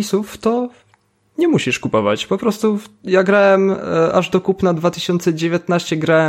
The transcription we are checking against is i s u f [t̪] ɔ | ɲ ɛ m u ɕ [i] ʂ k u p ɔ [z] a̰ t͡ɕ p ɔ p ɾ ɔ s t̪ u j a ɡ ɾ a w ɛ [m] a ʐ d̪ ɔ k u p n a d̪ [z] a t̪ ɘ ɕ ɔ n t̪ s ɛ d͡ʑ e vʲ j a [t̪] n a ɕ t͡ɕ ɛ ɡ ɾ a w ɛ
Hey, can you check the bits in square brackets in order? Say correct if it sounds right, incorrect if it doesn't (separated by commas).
correct, correct, incorrect, correct, incorrect, correct